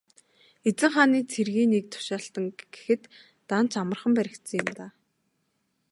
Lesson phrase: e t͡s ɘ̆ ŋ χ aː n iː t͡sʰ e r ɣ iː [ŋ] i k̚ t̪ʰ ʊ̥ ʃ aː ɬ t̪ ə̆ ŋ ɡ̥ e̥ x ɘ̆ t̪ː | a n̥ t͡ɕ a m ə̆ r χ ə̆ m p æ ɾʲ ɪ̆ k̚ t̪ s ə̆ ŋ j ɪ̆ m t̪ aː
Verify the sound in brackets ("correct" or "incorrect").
incorrect